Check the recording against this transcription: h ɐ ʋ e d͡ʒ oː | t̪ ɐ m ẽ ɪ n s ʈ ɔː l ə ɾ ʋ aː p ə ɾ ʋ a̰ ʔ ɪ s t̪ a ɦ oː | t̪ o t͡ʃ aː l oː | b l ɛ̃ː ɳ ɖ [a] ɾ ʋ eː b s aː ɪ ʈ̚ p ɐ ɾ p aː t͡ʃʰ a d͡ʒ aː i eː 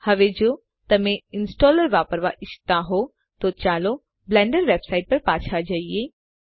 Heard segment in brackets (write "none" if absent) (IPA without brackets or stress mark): ə